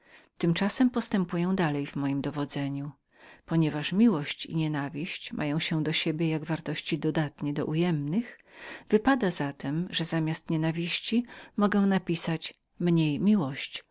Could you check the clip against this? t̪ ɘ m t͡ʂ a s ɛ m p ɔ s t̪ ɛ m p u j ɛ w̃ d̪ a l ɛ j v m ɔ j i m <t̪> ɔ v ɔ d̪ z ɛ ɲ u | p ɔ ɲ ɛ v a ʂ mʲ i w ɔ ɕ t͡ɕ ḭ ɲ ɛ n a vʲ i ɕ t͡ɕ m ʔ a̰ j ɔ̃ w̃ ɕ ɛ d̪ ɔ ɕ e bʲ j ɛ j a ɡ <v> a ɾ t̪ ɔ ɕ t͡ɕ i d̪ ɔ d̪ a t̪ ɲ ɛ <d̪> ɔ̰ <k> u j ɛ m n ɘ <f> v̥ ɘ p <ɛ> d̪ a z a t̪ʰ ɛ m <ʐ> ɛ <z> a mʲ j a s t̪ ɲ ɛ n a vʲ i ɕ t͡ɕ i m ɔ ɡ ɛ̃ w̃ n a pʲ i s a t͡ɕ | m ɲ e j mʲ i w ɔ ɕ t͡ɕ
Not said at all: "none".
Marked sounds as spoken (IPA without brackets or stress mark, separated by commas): d̪, v, d̪, ʔ, x, a, ʐ, z